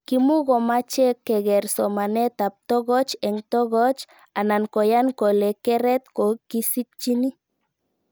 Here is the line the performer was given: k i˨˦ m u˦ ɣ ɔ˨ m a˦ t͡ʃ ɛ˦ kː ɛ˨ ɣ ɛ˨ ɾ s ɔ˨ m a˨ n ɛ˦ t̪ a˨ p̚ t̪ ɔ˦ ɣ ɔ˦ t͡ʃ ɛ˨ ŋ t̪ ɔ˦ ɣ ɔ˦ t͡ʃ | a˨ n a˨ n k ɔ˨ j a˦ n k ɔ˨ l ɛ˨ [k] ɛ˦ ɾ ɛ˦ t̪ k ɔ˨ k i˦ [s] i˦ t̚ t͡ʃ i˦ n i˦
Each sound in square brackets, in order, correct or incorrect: correct, correct

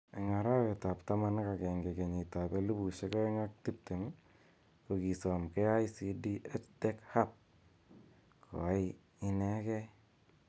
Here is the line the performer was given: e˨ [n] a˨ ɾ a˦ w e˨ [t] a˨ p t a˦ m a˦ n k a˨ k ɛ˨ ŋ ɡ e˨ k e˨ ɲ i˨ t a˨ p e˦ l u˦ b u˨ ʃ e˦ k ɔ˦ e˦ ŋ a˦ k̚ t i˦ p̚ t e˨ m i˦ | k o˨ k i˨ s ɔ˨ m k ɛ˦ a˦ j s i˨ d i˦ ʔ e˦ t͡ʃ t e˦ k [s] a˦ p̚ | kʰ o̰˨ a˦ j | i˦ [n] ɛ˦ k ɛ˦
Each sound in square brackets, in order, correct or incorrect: incorrect: ŋ, correct, incorrect: h, correct

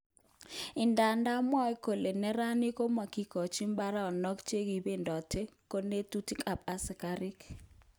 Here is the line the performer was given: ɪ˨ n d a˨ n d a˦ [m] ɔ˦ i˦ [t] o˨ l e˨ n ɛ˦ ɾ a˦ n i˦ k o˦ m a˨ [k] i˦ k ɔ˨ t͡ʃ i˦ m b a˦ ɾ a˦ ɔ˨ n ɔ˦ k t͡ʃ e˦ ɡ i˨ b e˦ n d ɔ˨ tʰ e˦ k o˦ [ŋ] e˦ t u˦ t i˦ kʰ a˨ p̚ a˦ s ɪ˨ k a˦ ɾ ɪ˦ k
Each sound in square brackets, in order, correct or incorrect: correct, incorrect: k, correct, incorrect: n

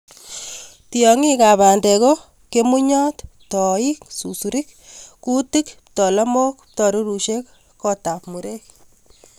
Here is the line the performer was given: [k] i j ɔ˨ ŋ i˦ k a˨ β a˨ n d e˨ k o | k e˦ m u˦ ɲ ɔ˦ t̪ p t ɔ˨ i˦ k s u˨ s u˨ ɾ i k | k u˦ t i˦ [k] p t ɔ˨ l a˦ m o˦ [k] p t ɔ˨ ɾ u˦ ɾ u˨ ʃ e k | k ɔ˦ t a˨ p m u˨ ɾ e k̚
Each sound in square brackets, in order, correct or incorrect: incorrect: t, correct, correct

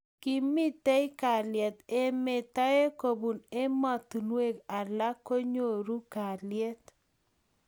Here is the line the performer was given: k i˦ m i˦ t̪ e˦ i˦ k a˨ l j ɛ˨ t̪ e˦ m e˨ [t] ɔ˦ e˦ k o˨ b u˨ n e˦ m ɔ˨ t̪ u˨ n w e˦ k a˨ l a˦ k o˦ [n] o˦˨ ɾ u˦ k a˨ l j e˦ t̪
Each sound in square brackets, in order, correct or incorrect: correct, incorrect: ɲ

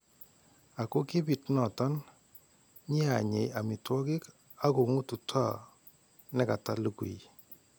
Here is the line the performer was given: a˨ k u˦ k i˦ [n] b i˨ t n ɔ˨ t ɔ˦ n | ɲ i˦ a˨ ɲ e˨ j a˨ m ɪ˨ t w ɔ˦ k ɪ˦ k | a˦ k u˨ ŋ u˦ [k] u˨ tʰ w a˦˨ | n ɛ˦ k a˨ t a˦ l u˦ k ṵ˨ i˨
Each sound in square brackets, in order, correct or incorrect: incorrect: none, incorrect: t

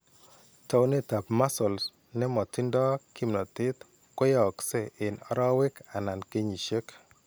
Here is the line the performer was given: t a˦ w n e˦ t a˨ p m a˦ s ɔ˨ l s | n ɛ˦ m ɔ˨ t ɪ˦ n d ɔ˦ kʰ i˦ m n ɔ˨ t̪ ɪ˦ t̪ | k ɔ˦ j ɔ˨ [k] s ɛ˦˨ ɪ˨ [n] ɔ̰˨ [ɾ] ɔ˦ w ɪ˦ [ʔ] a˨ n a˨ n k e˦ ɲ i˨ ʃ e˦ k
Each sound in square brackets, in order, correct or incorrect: correct, correct, correct, incorrect: k

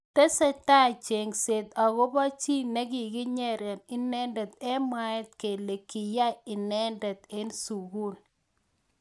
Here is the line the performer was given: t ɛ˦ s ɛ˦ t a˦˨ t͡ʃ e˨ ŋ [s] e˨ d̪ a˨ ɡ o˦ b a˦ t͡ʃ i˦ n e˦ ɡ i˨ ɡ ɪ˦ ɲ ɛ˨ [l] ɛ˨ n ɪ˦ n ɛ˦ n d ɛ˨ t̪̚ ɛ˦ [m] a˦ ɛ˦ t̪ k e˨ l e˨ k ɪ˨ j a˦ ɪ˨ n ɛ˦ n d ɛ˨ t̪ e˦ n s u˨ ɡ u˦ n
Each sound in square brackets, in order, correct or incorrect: correct, incorrect: ɾ, correct

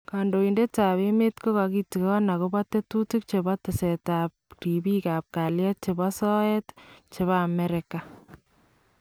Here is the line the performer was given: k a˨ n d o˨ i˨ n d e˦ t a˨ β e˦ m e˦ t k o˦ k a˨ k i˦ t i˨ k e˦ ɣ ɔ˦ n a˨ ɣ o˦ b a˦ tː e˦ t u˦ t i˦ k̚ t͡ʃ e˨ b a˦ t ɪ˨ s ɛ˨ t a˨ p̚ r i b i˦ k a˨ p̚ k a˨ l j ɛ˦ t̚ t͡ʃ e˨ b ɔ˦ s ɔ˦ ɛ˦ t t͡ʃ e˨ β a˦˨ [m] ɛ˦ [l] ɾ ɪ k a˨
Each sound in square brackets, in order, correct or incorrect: correct, incorrect: none

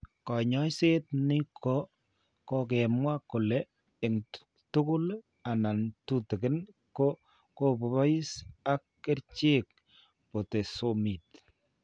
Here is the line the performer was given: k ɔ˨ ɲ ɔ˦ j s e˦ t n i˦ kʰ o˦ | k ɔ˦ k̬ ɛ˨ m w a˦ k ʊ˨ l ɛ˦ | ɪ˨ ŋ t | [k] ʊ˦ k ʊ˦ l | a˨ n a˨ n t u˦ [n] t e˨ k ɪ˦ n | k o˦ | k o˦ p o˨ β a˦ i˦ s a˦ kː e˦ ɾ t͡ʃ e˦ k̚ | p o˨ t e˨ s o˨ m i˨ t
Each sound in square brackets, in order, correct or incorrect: incorrect: t, incorrect: none

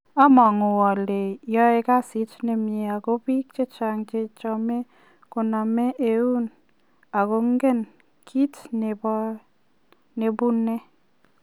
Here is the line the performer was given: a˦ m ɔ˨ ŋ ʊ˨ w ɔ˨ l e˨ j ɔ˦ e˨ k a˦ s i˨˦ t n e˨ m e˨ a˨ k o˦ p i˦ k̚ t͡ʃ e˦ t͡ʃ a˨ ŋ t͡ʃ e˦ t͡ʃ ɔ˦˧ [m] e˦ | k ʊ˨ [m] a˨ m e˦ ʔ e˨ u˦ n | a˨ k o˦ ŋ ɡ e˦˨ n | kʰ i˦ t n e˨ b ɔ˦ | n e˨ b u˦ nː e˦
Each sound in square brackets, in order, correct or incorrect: correct, incorrect: n

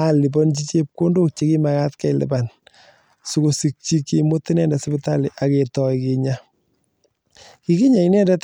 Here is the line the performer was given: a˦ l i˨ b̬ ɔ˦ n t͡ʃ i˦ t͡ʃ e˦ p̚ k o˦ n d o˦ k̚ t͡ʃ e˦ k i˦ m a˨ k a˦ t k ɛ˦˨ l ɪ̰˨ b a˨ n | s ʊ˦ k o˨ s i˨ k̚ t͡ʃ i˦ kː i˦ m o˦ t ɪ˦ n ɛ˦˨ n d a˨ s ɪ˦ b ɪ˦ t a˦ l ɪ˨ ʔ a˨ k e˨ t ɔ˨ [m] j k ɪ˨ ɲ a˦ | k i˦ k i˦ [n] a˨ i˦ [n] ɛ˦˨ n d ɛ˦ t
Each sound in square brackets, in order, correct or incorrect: incorrect: none, incorrect: ɲ, correct

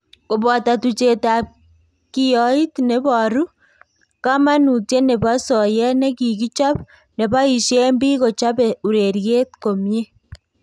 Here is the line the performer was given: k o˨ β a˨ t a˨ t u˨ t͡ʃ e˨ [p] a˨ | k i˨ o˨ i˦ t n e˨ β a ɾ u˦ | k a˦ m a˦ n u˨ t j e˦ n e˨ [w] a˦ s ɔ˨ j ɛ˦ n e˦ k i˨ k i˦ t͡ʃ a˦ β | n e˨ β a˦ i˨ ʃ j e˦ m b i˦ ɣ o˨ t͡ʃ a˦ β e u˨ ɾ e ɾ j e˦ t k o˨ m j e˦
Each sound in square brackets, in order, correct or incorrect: incorrect: t, incorrect: β

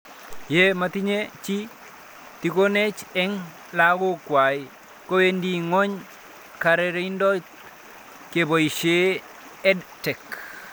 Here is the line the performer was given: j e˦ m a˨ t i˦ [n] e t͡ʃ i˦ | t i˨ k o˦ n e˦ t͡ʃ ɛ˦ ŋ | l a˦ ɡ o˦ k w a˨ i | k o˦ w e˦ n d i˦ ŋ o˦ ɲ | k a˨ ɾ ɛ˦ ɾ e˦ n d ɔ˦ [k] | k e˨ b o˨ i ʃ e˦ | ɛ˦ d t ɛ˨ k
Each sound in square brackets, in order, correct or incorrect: incorrect: ɲ, incorrect: t

